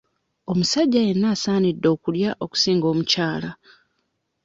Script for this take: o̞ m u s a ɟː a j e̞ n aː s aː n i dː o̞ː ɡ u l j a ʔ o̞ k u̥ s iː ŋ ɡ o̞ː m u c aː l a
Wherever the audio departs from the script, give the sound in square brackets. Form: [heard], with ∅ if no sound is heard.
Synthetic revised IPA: o̞ m u s a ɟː a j e̞ [nː] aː s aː n i dː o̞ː [k] u l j a ʔ o̞ k u̥ s iː ŋ ɡ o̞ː m u c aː l a